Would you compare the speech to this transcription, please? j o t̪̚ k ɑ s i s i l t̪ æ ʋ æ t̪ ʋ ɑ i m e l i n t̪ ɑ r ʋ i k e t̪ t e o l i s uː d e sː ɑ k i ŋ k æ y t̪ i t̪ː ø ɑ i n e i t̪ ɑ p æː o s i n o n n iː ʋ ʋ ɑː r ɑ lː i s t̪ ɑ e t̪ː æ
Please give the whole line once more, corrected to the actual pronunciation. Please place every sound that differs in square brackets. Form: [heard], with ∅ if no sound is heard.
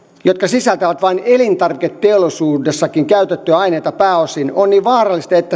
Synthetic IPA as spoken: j o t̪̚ k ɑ s i s [æ] l t̪ æ ʋ æ t̪ ʋ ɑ i [n] e l i n t̪ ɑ r ʋ i k e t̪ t e o l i s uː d e sː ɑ k i ŋ k æ y t̪ [e] t̪ː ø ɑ i n e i t̪ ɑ p æː o s i n o n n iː ʋ ʋ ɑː r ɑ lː i s t̪ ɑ e t̪ː æ